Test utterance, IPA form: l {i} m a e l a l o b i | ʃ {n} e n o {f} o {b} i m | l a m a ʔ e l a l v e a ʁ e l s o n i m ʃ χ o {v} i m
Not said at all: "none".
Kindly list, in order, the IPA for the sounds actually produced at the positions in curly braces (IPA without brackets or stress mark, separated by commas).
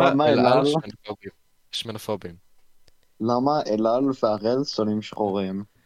a, m, f, b, ʁ